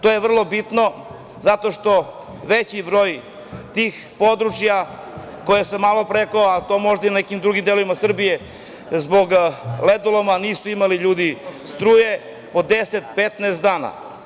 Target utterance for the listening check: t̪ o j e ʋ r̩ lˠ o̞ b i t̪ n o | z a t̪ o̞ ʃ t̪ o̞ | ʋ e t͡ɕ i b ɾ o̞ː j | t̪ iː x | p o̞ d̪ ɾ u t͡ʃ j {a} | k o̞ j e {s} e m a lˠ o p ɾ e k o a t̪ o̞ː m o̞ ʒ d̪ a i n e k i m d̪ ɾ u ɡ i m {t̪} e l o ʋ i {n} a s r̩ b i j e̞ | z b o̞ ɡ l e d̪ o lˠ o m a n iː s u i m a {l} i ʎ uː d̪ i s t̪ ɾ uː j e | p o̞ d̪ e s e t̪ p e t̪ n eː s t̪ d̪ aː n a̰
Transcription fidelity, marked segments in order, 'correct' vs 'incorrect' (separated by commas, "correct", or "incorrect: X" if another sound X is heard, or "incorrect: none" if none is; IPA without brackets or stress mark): correct, correct, incorrect: d̪, incorrect: m, correct